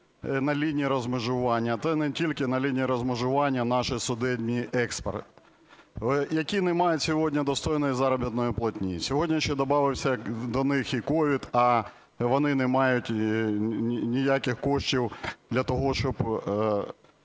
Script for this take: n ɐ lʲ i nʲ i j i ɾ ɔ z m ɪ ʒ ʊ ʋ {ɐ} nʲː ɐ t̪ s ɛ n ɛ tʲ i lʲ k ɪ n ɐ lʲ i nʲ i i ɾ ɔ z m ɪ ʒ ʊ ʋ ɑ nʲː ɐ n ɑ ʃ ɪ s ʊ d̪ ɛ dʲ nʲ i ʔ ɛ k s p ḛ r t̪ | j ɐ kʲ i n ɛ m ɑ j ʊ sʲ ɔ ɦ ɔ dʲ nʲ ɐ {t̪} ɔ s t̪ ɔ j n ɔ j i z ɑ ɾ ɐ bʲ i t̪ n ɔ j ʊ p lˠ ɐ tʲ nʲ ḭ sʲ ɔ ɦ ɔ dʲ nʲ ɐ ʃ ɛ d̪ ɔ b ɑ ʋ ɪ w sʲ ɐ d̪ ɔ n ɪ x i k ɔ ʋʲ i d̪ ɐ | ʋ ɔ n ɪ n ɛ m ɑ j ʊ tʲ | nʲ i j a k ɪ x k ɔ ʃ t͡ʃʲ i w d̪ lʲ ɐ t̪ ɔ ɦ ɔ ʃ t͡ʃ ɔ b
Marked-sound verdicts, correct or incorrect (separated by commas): incorrect, incorrect